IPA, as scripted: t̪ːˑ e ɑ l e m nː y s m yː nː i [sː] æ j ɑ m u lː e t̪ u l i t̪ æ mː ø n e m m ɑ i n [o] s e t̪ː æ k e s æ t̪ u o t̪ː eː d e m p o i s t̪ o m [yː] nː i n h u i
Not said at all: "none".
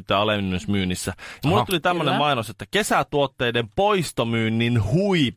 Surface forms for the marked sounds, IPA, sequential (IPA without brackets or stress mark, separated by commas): sː, o, yː